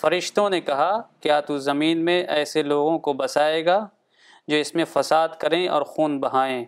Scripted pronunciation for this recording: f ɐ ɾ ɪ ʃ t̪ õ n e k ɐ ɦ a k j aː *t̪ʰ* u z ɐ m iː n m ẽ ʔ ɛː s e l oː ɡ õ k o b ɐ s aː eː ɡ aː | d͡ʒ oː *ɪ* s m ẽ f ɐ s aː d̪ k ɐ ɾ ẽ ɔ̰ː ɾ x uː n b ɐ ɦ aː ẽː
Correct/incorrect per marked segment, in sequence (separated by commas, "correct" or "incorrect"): incorrect, correct